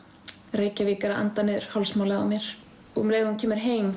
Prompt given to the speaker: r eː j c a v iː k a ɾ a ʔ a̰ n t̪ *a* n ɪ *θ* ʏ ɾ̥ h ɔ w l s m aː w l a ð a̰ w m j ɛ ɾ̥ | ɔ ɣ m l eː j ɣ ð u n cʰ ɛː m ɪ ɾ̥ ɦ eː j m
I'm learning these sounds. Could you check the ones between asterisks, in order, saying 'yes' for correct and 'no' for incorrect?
yes, no

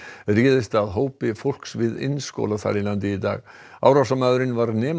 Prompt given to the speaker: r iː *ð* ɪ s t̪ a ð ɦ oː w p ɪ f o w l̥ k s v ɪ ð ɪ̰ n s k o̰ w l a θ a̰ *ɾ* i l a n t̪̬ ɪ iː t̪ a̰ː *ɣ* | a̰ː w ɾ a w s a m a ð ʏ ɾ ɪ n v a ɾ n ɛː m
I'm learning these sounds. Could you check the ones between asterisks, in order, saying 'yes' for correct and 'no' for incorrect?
yes, yes, yes

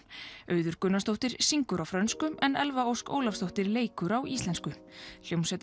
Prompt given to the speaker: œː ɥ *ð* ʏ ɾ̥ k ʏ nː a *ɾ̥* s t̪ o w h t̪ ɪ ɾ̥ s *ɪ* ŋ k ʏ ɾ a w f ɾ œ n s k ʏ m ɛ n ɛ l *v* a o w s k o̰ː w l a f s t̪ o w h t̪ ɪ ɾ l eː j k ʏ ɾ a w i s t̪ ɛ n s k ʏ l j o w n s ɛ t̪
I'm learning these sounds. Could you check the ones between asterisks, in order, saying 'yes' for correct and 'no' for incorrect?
yes, no, no, yes

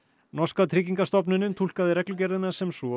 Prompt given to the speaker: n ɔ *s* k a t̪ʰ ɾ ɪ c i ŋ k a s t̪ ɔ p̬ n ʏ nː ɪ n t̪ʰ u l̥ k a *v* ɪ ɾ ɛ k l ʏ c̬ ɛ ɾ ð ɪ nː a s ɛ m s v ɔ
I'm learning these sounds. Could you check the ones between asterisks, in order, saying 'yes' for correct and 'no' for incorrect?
yes, no

